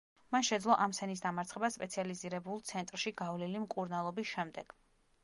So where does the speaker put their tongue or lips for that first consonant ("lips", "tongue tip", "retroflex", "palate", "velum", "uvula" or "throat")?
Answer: lips